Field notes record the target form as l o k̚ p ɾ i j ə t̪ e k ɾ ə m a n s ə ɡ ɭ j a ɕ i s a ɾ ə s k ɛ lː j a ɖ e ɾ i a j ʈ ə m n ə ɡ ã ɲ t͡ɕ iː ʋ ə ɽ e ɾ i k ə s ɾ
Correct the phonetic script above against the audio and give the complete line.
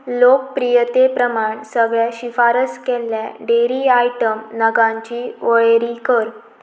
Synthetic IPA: l o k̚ p ɾ i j ə t̪ e p ɾ ə m a ɳ s ə ɡ ɭ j a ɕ i f a ɾ ə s k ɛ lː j a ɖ e ɾ i a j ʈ ə m n ə ɡ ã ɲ t͡ɕ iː ʋ ə ɭ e ɾ i k ə ɾ

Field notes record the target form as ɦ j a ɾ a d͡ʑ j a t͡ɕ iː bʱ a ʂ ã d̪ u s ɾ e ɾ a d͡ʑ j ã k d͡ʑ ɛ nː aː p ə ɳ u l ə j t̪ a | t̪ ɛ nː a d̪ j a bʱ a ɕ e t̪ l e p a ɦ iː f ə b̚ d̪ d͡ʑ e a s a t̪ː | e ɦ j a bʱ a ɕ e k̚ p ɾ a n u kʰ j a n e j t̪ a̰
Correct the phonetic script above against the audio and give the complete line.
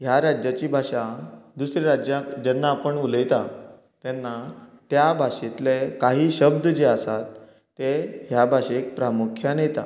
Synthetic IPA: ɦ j a ɾ a d͡ʑ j a t͡ɕ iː bʱ a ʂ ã d̪ u s ɾ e ɾ a d͡ʑ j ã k d͡ʑ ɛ nː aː p ə ɳ u l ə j t̪ a | t̪ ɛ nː a t̪ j a bʱ a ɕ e t̪ l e k a ɦ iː ɕ ə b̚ d̪ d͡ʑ e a s a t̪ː | e ɦ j a bʱ a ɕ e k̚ p ɾ a m u kʰ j a n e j t̪ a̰

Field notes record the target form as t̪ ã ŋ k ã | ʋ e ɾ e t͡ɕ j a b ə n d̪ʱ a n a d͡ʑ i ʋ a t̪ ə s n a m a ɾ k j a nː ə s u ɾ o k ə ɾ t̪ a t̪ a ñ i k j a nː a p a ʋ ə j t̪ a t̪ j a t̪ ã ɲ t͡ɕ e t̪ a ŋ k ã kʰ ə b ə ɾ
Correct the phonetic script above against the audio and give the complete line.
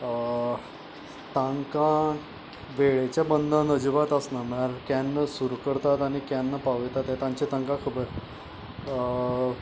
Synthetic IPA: t̪ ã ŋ k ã | ʋ e ɭ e t͡ɕ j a b ə n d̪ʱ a n ə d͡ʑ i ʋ a t̪ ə s n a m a ɾ k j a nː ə s u ɾ u k ə ɾ t̪ a t̪ a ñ i k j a nː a p a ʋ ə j t̪ a t̪ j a t̪ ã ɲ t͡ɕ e t̪ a ŋ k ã kʰ ə b ə ɾ

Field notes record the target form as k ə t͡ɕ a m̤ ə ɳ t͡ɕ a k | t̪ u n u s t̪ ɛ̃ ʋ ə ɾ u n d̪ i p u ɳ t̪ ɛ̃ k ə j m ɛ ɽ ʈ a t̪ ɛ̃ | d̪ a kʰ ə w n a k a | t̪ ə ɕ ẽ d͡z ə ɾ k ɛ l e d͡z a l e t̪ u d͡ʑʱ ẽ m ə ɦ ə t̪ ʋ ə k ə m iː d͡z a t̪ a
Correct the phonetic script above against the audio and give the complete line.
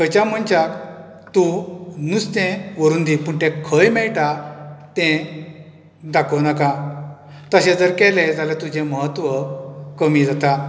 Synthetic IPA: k ə t͡ɕ a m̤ ə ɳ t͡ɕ a k | t̪ u n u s t̪ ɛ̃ ʋ ə ɾ u n d̪ i p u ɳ t̪ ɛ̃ kʰ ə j m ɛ ɭ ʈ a t̪ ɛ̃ | d̪ a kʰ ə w n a k a | t̪ ə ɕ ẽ d͡z ə ɾ k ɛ l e d͡z a l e t̪ u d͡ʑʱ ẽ m ə ɦ ə t̪ ʋ ə k ə m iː d͡z a t̪ a

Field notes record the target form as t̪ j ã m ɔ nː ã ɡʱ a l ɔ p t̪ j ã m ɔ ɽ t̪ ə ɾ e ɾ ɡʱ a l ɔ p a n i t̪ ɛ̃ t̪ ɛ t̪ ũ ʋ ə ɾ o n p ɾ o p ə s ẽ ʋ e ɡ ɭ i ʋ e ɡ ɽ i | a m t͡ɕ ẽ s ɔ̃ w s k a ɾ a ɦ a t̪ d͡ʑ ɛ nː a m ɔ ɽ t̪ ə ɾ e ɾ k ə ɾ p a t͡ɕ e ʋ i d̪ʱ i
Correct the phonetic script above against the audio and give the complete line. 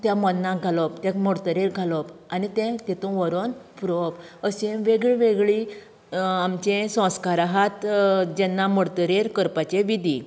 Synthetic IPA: t̪ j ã m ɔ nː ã ɡʱ a l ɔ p t̪ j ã m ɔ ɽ t̪ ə ɾ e ɾ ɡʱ a l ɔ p a n i t̪ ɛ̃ t̪ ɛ t̪ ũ ʋ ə ɾ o n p ɾ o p ə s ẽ ʋ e ɡ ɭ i ʋ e ɡ ɭ i | a m t͡ɕ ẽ s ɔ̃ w s k a ɾ a ɦ a t̪ d͡ʑ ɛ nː a m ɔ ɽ t̪ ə ɾ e ɾ k ə ɾ p a t͡ɕ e ʋ i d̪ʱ i

